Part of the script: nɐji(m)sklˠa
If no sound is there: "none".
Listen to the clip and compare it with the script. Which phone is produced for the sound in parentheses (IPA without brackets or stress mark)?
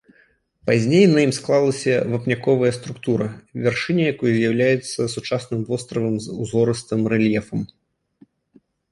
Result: m